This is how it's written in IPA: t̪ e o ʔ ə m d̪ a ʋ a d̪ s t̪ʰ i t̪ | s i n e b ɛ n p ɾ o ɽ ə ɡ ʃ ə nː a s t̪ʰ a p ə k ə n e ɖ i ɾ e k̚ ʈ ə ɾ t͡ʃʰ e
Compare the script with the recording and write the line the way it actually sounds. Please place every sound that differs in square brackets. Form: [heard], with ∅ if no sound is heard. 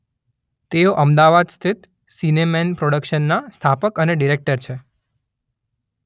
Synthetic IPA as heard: t̪ e o ʔ ə m d̪ a ʋ a d̪ s t̪ʰ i t̪ | s i n e [m] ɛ n p ɾ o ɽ ə [k] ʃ ə nː a s t̪ʰ a p ə k ə n e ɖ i ɾ e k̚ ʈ ə ɾ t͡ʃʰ e

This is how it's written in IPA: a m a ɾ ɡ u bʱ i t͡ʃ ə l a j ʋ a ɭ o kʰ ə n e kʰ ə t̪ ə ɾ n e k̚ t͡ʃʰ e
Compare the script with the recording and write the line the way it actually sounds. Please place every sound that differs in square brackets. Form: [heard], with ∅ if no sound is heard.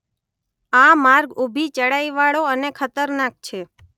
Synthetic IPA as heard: a m a ɾ ɡ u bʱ i t͡ʃ ə [ɽ] a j ʋ a ɭ o [∅] ə n e kʰ ə t̪ ə ɾ n [a] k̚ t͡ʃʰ e

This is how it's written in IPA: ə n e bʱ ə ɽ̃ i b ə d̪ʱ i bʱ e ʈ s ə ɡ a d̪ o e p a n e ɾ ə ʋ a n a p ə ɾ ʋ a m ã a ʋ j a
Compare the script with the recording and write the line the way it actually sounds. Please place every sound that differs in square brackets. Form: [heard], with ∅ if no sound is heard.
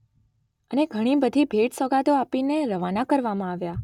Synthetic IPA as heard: ə n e [ɡʱ] ə ɽ̃ i b ə d̪ʱ i bʱ e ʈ s ə ɡ a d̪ o [a] p [i] n e ɾ ə ʋ a n a [k] ə ɾ ʋ a m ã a ʋ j a

